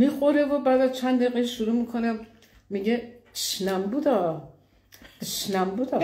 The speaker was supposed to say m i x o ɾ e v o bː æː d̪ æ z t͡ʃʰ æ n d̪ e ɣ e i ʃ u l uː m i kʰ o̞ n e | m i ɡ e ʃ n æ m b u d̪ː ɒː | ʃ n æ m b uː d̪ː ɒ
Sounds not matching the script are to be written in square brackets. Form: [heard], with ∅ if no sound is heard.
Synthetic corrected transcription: m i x o ɾ e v o [b] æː d̪ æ z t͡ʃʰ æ n d̪ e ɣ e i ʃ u [ɾ] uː m i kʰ o̞ n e | m i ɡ e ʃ n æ m b u [d̪] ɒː | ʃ n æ m b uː [d̪] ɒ